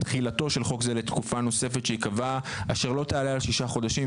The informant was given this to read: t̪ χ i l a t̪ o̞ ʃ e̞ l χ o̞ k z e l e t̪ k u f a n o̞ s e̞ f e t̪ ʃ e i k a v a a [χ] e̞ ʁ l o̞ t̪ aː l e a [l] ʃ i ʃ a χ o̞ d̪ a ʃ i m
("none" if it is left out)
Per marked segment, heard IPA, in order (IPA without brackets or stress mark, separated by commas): ʃ, l